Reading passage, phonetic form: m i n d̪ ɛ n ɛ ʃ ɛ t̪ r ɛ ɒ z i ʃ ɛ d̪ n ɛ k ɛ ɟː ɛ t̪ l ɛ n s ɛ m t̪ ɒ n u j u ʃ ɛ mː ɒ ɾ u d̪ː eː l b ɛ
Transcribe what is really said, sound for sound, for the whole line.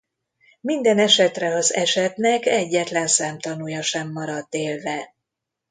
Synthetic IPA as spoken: m i n d̪ ɛ n ɛ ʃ ɛ t̪ r ɛ ɒ z ɛ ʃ ɛ t̪ n ɛ k ɛ ɟː ɛ t̪ l ɛ n s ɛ m t̪ ɒ n u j ɒ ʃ ɛ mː ɒ ɾ ɒ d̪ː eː l v ɛ